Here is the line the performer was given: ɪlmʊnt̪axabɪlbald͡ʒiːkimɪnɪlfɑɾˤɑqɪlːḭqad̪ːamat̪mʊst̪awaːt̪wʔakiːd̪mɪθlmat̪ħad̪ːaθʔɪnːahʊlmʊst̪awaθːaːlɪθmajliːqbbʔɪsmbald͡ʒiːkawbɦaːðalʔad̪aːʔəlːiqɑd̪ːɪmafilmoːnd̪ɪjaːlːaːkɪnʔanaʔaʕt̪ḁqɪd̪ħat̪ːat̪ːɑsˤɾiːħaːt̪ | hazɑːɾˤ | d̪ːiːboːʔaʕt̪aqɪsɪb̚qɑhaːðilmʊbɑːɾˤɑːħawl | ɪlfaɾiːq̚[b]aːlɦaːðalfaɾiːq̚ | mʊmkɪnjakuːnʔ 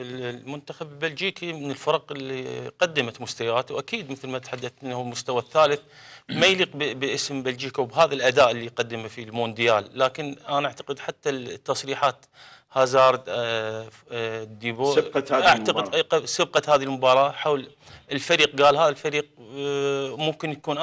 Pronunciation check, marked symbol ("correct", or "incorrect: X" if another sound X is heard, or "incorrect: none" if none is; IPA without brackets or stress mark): incorrect: ɡ